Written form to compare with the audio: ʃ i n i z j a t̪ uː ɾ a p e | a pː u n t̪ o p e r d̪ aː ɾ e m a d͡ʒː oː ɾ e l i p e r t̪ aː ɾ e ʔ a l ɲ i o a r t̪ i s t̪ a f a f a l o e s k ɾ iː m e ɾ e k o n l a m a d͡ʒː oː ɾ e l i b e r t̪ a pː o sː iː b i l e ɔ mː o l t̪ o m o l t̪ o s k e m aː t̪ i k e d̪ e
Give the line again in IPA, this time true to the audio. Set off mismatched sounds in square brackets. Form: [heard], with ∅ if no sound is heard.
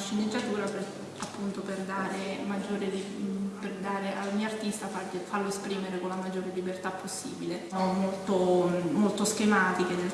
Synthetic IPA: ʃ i n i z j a t̪ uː ɾ a p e | a pː u n t̪ o p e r d̪ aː ɾ e m a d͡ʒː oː ɾ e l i p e r [d̪] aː ɾ e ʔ a l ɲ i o a r t̪ i s t̪ a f a f a l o e s [p] ɾ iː m e ɾ e k o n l a m a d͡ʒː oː ɾ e l i b e r t̪ a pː o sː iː b i l e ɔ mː o l t̪ o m o l t̪ o s k e m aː t̪ i k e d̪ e